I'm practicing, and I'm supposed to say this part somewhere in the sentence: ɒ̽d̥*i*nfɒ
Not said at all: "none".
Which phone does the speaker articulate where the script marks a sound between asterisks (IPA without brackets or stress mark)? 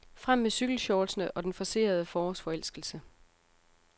e